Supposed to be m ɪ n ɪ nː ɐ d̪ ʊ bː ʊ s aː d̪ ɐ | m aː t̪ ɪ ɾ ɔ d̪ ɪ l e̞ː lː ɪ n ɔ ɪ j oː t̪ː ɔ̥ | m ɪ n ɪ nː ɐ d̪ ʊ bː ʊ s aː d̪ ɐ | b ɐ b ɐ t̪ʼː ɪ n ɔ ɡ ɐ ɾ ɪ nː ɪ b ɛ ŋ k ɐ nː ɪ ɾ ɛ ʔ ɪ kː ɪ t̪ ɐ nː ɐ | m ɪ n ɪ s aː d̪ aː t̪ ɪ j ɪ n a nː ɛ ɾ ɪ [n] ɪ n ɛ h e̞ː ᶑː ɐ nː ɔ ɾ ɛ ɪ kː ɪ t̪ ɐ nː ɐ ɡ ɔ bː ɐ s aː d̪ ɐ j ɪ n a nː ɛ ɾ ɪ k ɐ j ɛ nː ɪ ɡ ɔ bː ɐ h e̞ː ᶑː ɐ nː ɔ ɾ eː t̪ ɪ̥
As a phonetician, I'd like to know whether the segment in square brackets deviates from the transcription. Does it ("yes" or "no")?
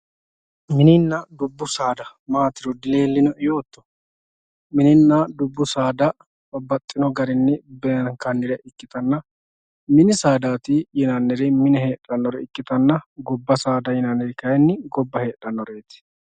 yes